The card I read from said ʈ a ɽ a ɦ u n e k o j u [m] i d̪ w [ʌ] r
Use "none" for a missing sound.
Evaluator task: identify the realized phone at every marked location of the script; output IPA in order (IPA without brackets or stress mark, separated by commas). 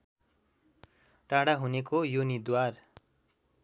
n, a